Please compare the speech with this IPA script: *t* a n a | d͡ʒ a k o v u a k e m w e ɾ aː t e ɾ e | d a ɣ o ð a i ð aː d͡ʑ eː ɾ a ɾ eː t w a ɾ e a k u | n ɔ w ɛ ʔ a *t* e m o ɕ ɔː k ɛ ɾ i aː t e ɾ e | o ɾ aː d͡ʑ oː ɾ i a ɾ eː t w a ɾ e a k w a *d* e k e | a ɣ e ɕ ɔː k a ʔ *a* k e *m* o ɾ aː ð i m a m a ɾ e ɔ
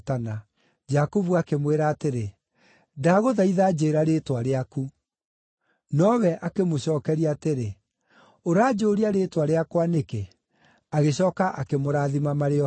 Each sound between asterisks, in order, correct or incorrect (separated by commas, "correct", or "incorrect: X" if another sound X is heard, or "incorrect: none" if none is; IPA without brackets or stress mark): correct, incorrect: k, incorrect: n, correct, correct